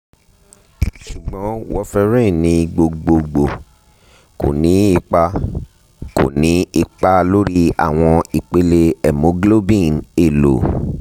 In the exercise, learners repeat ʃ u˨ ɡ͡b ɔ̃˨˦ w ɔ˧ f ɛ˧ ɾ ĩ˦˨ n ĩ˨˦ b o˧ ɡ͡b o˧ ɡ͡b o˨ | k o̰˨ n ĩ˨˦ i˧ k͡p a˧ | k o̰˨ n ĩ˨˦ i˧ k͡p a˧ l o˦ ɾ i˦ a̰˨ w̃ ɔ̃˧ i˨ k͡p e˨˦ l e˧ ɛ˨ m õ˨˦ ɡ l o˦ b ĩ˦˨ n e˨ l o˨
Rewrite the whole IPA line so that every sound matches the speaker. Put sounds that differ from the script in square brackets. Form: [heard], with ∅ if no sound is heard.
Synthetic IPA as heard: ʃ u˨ ɡ͡b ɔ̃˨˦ w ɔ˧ f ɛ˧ ɾ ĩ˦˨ n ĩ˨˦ [ɡ͡b] o˧ ɡ͡b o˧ ɡ͡b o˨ | k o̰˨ n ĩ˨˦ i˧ k͡p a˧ | k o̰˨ n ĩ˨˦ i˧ k͡p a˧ l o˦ ɾ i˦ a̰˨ w̃ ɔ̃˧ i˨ k͡p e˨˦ l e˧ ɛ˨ m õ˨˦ ɡ l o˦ b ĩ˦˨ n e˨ l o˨